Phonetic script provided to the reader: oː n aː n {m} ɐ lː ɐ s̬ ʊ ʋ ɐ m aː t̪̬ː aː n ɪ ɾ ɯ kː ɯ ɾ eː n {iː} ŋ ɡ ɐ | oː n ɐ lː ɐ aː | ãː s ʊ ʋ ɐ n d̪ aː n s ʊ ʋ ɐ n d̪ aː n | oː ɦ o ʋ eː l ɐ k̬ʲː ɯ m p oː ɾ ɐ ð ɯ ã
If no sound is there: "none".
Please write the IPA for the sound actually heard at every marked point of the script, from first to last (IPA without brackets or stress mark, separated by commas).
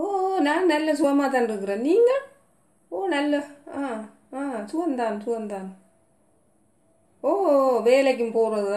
n, iː